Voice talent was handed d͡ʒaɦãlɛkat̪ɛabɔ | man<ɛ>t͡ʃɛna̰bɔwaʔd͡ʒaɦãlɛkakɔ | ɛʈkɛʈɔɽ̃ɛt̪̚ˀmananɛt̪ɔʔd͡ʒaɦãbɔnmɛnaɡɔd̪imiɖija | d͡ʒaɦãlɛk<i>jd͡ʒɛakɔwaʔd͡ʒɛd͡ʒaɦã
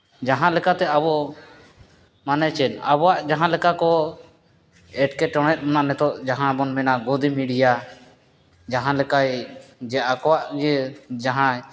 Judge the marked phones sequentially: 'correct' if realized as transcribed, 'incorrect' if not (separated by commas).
correct, incorrect